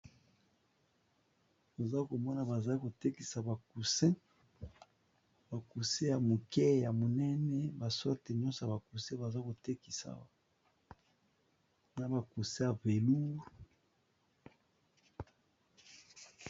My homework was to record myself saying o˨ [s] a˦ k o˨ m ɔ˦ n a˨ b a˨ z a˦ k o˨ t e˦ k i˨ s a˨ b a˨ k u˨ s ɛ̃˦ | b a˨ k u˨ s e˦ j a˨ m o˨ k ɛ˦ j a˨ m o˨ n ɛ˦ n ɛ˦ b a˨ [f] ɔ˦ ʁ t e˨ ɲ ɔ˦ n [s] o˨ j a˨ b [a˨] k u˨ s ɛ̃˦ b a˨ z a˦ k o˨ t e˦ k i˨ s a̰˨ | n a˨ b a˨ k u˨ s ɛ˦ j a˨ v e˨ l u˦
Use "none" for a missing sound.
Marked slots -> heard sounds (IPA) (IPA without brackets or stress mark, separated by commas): z, s, s, a˨